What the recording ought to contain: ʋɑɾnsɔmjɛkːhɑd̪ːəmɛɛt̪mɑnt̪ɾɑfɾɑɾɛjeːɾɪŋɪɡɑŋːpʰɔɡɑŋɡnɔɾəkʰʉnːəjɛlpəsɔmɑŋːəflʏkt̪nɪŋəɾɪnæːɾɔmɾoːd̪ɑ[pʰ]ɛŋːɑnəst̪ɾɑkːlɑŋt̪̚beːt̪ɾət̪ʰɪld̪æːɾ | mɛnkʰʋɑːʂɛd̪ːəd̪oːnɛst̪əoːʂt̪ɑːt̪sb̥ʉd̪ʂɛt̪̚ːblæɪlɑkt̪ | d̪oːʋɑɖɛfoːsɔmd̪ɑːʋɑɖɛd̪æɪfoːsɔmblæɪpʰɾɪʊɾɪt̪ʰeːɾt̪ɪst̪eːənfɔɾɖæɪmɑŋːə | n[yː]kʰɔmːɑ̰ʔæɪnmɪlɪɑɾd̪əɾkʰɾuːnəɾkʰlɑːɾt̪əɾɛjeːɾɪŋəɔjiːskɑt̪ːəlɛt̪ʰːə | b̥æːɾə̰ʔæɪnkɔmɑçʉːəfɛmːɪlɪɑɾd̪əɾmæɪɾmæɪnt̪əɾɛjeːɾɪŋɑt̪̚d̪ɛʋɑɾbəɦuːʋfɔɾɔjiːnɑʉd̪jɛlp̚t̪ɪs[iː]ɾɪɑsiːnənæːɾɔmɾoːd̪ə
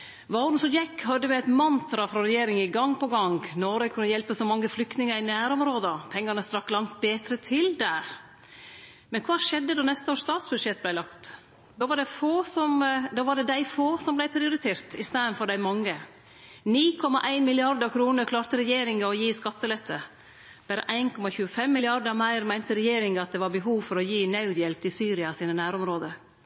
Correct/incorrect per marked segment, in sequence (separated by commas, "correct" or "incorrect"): correct, incorrect, incorrect